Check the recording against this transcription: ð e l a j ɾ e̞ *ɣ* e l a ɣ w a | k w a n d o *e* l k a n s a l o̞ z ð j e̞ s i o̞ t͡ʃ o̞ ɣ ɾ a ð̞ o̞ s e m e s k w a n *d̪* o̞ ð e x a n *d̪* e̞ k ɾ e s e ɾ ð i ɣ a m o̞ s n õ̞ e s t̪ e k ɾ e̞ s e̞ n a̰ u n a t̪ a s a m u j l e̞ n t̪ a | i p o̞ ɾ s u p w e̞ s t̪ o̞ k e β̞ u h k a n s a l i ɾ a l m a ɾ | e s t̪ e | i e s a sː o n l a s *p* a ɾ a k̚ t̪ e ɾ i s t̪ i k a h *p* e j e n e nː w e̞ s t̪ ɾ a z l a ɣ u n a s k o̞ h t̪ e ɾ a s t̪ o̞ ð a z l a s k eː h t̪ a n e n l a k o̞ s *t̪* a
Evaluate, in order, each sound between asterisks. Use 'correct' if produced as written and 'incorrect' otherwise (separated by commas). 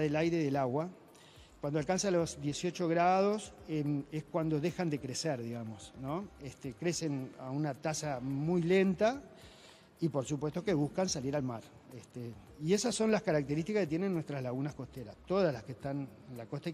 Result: incorrect, incorrect, correct, correct, incorrect, incorrect, correct